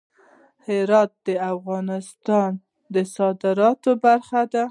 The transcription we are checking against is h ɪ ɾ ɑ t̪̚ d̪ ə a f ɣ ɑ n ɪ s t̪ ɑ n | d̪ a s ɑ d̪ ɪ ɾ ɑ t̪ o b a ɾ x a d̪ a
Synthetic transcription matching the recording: h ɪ ɾ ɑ t̪̚ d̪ ə a f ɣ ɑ n ɪ s t̪ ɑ n | d̪ ə s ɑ d̪ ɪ ɾ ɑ t̪ o b a ɾ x a d̪ a